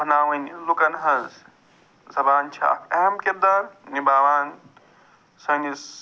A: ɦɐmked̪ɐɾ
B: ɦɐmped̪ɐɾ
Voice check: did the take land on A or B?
A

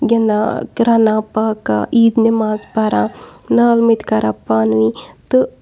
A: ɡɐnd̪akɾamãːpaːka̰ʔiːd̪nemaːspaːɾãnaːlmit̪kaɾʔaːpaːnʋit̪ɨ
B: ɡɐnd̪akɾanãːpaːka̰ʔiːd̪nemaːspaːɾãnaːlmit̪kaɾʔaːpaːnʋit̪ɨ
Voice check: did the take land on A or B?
B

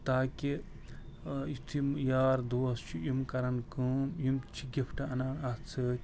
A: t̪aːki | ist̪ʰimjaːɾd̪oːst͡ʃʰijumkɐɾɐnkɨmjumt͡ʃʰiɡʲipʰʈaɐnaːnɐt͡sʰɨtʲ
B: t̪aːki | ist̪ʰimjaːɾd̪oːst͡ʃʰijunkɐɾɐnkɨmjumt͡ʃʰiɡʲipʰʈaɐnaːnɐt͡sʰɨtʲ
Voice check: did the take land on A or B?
A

